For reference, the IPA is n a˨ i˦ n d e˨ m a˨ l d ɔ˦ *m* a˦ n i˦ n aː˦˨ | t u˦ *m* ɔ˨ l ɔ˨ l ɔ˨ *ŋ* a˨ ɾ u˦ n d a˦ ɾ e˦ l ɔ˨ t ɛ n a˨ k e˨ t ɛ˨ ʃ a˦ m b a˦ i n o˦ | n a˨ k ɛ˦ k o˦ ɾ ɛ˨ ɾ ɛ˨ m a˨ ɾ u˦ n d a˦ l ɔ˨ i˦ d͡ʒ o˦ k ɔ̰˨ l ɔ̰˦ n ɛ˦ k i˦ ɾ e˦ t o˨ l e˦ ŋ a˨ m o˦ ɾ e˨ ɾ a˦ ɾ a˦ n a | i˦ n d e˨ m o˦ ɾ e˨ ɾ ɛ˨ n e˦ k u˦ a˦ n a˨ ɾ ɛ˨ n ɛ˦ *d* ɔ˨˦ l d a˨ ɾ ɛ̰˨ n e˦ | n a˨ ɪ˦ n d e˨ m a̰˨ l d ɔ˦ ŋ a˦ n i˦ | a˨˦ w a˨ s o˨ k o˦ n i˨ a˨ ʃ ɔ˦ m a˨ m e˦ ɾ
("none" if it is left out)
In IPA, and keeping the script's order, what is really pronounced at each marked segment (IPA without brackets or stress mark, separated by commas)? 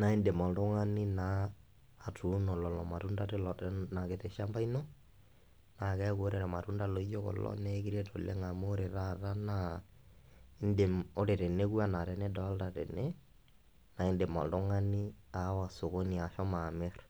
ŋ, n, m, d